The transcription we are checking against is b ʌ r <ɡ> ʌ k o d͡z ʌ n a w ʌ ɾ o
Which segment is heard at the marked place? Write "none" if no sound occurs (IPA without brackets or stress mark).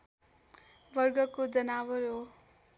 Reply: ɡ